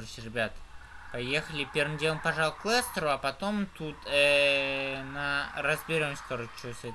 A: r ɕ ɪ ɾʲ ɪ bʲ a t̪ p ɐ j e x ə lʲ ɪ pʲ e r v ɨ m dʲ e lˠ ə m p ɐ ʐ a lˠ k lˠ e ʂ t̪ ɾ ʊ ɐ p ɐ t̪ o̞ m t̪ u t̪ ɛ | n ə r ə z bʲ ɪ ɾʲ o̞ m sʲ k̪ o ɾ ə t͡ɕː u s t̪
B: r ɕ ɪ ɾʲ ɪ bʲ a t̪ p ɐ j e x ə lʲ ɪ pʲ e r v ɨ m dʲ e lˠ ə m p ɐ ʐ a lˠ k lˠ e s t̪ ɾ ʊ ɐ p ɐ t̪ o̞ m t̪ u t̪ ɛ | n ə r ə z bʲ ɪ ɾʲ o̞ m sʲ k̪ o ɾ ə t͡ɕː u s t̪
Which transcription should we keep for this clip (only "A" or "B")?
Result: B